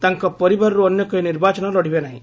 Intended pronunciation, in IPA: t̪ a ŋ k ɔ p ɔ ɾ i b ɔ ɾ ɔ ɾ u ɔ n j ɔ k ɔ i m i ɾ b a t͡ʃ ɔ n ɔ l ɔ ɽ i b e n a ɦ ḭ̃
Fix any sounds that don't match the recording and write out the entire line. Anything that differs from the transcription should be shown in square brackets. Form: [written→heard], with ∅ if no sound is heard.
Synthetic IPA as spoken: t̪ a ŋ k ɔ p ɔ ɾ i b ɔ ɾ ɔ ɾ u ɔ n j ɔ k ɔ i [m→n] i ɾ b a t͡ʃ ɔ n ɔ l ɔ ɽ i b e n a ɦ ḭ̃